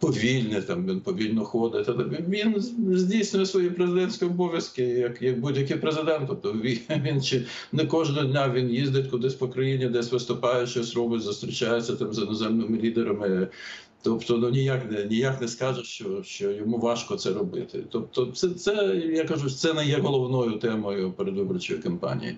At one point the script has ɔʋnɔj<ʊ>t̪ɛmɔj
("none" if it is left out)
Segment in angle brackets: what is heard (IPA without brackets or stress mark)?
ʊ